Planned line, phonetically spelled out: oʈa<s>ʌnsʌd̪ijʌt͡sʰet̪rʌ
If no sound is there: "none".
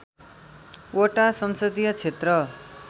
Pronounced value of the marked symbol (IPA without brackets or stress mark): s